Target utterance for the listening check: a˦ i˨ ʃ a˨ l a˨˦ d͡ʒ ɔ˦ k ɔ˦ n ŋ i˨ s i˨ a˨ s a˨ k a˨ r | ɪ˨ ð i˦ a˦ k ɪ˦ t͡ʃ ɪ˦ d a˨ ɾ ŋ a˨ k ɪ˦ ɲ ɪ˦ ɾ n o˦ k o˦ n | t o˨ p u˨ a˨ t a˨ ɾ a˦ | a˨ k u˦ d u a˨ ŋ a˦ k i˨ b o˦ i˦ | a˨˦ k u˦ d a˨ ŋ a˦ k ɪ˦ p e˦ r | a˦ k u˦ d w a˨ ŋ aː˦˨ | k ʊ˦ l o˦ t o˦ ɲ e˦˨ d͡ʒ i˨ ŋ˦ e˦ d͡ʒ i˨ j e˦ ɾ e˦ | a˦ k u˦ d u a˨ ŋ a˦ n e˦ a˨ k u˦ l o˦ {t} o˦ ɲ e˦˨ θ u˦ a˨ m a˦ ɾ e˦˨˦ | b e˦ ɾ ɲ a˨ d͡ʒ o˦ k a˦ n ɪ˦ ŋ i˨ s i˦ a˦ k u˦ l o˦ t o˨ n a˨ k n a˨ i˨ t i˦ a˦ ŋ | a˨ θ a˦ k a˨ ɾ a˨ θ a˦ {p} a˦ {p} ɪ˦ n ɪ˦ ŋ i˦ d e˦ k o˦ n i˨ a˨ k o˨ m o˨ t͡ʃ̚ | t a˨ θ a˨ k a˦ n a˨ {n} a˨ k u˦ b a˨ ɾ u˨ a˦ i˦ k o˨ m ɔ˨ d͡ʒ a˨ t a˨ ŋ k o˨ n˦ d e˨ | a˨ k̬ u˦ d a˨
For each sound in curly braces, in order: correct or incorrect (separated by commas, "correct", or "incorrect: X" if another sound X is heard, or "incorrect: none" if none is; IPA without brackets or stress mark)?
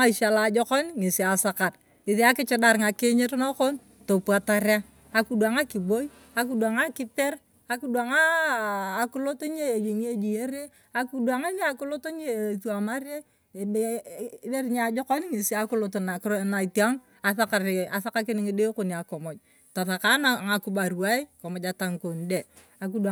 correct, incorrect: k, incorrect: k, incorrect: ŋ